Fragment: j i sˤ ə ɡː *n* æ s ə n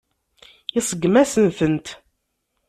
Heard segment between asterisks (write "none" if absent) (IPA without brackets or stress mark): m